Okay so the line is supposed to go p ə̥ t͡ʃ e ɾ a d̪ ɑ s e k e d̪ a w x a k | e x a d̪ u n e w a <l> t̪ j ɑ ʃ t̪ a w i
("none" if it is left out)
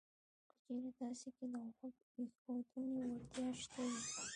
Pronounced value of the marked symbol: ɾ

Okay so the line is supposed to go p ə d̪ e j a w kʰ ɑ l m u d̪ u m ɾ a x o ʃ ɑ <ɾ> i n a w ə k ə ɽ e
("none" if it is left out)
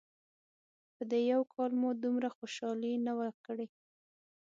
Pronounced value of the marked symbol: l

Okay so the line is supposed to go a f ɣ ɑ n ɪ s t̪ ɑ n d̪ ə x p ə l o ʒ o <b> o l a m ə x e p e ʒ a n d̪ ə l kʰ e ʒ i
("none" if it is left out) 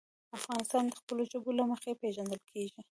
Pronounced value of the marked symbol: b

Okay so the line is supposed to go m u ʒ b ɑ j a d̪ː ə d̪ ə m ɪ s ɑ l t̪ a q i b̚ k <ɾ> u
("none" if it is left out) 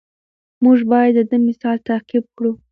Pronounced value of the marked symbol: ɽ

